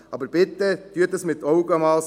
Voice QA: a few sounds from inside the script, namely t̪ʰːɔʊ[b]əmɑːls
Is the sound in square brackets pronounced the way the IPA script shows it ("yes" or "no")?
no